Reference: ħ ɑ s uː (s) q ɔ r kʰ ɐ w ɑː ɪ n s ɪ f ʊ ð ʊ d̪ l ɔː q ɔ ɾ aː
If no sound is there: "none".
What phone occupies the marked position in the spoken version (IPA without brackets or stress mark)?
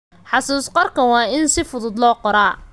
s